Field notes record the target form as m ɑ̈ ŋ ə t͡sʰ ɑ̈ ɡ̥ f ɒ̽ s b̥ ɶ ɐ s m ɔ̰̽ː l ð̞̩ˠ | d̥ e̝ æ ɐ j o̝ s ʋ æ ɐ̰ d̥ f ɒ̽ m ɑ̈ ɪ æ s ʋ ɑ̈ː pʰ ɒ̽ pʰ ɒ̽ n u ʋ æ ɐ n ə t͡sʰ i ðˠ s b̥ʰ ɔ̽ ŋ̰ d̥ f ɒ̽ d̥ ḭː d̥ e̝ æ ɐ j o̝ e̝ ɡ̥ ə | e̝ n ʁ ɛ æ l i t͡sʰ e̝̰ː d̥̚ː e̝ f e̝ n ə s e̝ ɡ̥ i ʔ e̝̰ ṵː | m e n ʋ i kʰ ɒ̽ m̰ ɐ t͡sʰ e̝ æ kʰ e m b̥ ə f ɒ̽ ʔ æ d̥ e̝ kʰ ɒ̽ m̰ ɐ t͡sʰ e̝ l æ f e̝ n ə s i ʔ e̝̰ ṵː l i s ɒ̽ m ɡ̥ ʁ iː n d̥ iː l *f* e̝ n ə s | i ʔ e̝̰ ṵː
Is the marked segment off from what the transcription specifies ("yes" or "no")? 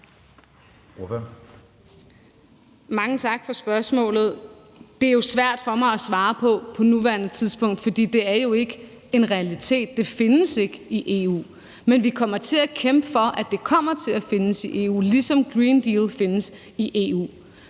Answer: no